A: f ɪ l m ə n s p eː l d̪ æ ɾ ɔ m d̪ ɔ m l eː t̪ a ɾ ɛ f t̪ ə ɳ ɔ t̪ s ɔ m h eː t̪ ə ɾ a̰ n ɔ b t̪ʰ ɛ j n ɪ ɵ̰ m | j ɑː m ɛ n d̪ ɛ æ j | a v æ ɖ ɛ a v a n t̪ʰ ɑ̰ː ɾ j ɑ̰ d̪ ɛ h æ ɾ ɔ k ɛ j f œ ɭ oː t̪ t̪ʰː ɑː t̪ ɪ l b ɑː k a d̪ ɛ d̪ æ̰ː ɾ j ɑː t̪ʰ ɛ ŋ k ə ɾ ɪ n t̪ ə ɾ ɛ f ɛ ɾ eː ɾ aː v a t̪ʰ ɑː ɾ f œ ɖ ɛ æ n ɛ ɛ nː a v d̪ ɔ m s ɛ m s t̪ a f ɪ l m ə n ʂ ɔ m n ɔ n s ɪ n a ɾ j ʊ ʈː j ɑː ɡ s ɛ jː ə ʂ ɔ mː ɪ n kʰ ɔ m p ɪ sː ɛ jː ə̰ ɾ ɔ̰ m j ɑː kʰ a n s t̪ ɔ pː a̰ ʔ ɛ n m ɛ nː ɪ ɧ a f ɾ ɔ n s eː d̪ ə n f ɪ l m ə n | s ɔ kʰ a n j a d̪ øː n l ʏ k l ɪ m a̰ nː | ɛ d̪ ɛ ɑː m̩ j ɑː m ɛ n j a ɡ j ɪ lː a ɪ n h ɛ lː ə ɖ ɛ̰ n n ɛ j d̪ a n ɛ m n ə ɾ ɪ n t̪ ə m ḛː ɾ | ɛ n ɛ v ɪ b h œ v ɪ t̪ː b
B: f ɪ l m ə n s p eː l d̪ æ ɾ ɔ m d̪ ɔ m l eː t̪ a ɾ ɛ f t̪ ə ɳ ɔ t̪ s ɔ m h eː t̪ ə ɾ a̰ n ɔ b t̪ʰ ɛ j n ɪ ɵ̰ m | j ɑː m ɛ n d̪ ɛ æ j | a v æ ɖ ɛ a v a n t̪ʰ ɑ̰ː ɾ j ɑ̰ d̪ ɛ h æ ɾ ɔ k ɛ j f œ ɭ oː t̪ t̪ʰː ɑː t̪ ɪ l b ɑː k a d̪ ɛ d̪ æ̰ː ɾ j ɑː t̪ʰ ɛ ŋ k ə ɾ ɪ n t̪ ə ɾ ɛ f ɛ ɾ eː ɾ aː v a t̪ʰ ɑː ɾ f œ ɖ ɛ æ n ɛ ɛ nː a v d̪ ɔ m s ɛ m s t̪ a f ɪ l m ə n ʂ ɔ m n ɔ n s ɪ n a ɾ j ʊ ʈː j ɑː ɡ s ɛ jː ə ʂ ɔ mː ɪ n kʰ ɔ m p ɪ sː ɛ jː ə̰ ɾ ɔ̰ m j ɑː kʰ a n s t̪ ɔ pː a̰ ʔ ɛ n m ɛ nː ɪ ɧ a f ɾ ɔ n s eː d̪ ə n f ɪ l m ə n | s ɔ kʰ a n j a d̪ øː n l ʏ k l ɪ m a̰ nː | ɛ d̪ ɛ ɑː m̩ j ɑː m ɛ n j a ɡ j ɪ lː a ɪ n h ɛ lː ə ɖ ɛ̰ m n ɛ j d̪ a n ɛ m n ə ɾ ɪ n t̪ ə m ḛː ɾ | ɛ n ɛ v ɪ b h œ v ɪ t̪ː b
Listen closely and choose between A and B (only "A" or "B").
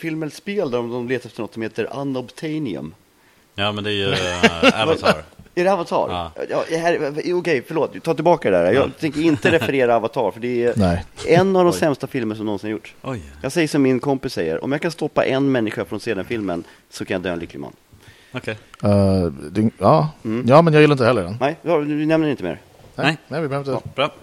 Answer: A